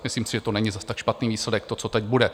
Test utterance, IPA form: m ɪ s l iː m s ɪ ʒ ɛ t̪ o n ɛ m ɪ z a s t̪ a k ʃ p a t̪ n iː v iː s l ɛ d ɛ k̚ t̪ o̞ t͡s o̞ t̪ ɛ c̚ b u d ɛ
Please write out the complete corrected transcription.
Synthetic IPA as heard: m ɪ s l iː m s ɪ ʒ ɛ t̪ o n ɛ ɲ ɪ z a s t̪ a k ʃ p a t̪ n iː v iː s l ɛ d ɛ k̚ t̪ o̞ t͡s o̞ t̪ ɛ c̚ b u d ɛ